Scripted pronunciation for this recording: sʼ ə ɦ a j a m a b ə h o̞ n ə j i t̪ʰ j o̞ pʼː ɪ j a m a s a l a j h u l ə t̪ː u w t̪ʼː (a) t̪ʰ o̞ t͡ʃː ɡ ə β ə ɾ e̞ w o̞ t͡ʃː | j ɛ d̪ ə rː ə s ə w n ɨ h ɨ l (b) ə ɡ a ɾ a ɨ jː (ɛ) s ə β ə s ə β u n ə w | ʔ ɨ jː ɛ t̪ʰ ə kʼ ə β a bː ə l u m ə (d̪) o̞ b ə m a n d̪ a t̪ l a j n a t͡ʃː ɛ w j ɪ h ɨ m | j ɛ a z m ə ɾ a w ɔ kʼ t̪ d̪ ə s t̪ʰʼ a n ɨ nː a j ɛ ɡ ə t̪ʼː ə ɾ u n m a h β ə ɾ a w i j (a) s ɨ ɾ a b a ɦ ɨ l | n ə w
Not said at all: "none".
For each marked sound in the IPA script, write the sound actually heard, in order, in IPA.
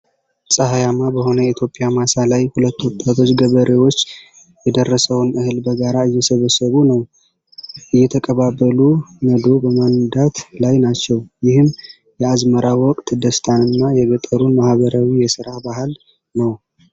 a, b, ɛ, d̪, ɛ

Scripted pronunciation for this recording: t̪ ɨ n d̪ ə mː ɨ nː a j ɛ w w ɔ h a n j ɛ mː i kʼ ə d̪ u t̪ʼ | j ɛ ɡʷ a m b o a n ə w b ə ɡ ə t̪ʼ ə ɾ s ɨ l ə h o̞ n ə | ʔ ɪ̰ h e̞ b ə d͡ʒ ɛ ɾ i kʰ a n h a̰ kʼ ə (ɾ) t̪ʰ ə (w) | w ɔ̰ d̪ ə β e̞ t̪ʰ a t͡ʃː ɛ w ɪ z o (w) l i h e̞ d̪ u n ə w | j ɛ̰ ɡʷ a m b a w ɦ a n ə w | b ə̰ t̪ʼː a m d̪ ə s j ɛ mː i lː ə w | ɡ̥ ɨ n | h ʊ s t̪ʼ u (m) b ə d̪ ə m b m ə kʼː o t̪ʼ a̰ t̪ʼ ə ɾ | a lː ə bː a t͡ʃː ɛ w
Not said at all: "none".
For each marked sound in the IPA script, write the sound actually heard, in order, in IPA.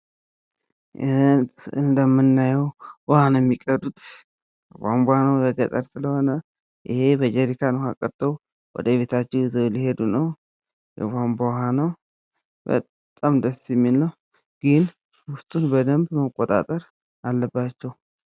ɾ, w, w, n

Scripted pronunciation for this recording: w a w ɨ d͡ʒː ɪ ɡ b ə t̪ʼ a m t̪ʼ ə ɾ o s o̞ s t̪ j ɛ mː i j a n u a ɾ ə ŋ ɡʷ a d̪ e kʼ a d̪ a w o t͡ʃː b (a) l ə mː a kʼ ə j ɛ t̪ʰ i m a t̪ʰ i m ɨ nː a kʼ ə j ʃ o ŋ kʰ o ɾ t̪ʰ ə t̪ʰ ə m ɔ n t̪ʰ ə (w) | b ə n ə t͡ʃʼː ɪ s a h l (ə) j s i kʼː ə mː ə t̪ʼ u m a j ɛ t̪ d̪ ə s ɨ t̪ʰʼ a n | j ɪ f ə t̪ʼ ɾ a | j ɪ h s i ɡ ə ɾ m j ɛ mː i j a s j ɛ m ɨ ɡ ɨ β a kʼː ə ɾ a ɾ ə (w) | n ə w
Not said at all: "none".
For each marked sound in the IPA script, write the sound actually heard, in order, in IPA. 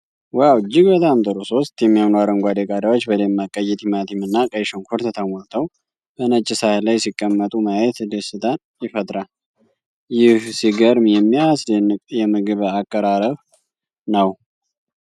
ə, w, a, β

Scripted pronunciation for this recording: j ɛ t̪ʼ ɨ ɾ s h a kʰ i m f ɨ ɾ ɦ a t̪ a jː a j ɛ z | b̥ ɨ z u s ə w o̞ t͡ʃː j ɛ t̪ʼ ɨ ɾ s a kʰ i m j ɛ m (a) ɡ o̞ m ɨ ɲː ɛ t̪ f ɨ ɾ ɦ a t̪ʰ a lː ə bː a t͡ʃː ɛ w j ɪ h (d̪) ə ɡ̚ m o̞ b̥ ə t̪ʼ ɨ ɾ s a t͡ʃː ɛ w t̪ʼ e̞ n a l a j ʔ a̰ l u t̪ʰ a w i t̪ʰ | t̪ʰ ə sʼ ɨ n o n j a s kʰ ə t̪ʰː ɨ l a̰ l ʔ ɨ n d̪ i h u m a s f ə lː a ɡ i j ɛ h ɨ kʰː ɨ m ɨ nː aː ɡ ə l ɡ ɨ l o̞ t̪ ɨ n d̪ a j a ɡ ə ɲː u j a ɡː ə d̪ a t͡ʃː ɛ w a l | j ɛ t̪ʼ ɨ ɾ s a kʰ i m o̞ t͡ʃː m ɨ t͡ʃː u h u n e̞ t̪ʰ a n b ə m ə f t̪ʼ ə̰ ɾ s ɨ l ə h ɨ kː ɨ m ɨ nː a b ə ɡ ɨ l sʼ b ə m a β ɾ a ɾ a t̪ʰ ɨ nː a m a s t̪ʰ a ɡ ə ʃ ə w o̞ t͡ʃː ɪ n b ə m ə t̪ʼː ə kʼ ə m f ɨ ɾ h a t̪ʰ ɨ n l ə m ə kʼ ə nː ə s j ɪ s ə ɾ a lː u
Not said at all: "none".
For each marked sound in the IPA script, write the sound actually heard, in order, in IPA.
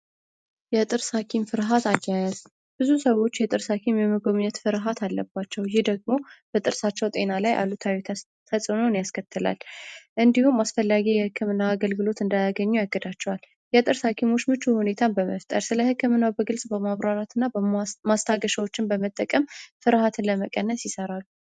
ə, d̪

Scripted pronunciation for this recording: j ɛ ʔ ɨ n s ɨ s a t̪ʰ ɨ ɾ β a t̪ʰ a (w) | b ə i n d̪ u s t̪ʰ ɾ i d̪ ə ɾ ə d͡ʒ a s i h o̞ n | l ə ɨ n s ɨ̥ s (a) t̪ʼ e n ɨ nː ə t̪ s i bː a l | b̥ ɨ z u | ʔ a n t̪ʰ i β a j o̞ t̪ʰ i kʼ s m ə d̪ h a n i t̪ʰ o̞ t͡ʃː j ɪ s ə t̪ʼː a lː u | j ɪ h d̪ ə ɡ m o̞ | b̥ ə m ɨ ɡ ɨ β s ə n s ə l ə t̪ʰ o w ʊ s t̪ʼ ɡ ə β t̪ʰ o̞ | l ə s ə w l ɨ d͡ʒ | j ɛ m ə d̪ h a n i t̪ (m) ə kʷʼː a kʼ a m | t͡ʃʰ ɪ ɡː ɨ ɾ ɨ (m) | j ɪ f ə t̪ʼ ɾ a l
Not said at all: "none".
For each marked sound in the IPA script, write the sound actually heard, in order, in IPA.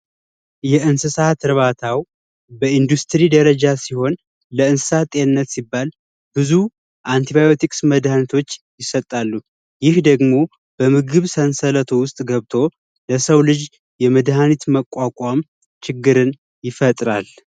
w, a, m, n

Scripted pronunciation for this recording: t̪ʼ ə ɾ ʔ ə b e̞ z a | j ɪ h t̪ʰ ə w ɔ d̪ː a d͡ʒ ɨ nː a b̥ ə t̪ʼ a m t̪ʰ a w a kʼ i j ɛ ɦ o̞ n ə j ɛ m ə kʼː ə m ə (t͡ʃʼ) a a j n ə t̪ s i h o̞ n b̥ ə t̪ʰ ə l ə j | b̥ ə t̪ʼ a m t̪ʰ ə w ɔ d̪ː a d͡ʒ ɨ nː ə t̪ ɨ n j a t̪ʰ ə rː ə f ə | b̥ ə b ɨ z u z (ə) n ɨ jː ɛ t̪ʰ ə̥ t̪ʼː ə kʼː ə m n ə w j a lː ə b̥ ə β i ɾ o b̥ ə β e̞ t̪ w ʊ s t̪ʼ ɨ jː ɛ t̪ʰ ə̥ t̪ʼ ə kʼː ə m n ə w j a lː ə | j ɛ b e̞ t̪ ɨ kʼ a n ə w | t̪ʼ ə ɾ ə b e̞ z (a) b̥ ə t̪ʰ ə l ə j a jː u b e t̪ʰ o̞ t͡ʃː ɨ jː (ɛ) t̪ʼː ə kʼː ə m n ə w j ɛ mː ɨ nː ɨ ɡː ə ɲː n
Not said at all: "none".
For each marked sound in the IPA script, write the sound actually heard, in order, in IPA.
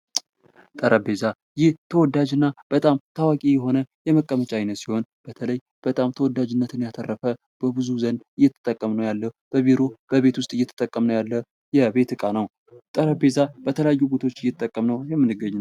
t͡ʃʼ, ə, a, ɛ

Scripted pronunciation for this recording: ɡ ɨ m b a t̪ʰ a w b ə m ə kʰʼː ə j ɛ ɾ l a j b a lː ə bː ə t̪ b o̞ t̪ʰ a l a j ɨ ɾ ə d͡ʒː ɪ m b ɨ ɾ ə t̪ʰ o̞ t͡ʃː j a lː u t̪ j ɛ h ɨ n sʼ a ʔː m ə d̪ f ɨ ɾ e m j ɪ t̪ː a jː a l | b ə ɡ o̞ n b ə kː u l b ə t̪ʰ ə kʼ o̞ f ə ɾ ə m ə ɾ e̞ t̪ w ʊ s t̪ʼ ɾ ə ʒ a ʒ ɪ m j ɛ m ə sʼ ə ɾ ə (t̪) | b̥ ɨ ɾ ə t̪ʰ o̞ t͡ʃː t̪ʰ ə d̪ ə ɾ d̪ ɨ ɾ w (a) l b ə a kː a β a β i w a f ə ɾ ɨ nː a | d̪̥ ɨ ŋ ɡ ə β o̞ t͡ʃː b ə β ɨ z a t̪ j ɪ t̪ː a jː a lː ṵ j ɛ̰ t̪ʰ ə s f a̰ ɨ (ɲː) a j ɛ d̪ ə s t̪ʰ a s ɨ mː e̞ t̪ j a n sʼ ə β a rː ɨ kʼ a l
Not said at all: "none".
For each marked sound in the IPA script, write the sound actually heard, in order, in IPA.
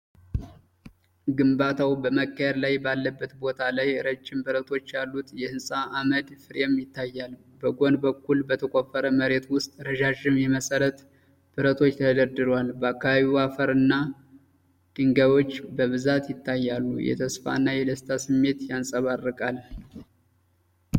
t̪, a, nː

